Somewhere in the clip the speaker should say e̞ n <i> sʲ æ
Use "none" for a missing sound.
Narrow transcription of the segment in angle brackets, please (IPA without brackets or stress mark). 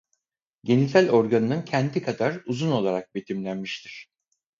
i